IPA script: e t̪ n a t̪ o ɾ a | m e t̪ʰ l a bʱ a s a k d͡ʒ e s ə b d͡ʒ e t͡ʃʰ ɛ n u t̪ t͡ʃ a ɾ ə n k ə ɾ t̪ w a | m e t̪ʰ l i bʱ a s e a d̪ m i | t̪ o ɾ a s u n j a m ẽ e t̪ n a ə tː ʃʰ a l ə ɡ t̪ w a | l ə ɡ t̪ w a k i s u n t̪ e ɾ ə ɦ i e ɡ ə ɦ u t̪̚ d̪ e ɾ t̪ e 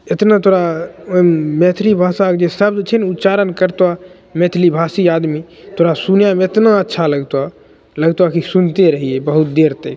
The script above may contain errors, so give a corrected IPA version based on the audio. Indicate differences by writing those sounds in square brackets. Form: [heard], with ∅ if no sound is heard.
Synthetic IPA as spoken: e t̪ n a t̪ o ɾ a | m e t̪ʰ l [i] bʱ a s a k d͡ʒ e s ə b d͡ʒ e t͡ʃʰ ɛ n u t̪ t͡ʃ a ɾ ə n k ə ɾ t̪ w a | m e t̪ʰ l i bʱ a s [i] a d̪ m i | t̪ o ɾ a s u n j a m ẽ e t̪ n a ə tː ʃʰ a l ə ɡ t̪ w a | l ə ɡ t̪ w a k i s u n t̪ e ɾ ə ɦ i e [b] ə ɦ u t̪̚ d̪ e ɾ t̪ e